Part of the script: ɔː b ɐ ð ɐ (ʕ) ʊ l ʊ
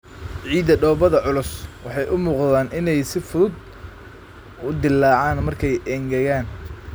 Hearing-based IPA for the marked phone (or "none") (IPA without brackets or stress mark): ʕ